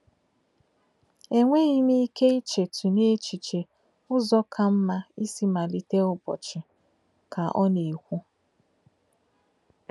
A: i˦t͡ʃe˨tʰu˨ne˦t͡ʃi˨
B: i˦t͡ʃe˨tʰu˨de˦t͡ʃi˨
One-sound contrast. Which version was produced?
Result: A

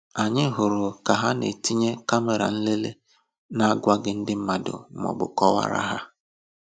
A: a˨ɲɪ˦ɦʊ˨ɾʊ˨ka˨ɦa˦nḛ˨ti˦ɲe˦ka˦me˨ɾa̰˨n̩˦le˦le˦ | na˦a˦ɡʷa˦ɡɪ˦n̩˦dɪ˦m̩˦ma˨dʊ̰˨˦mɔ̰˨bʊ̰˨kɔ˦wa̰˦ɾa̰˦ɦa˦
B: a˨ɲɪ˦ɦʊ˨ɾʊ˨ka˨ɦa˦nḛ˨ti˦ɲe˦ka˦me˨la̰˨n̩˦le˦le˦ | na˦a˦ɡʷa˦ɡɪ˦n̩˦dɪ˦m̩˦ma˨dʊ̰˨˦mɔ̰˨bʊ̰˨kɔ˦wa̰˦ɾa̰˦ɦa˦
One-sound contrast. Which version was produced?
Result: A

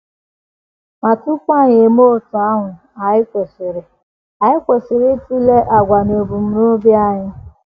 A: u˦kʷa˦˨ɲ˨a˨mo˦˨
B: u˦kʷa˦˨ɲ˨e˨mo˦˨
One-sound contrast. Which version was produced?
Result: B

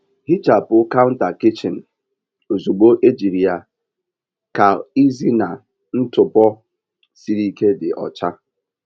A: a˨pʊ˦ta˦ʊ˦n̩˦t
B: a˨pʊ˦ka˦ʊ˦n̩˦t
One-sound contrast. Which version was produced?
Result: B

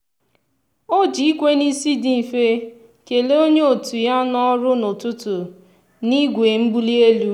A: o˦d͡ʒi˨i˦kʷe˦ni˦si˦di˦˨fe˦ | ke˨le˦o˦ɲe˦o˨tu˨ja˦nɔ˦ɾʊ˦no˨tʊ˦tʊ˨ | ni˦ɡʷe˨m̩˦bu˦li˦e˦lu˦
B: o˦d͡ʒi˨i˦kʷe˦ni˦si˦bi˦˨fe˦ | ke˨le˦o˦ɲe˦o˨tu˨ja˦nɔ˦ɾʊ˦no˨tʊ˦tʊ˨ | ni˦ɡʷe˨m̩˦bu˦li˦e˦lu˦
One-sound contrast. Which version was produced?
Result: A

